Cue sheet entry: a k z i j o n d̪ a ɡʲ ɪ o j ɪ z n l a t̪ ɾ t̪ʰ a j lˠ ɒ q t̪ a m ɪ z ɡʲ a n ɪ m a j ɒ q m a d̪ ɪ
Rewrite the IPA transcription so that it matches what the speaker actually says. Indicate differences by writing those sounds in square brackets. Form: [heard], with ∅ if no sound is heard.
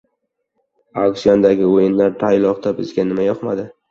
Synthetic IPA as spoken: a k [s] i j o n d̪ a ɡʲ ɪ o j ɪ [∅] n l a [∅] ɾ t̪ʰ a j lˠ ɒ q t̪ a [b] ɪ z ɡʲ a n ɪ m a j ɒ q m a d̪ ɪ